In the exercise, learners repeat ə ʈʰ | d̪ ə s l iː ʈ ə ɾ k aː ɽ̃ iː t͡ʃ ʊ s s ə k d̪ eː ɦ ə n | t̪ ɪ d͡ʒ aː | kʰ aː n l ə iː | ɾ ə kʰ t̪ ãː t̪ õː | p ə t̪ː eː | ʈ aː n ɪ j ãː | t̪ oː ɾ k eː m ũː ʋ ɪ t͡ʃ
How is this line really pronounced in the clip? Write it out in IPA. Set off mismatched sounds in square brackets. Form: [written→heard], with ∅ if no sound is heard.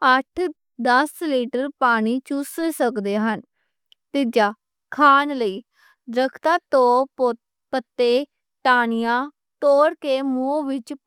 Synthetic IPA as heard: ə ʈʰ | d̪ ə s l iː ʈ ə ɾ [k→p] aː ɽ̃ iː t͡ʃ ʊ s s ə k d̪ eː ɦ ə n | t̪ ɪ d͡ʒ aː | kʰ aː n l ə iː | ɾ ə kʰ t̪ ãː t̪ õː | p ə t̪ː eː | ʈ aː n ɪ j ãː | t̪ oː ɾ k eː m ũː ʋ ɪ t͡ʃ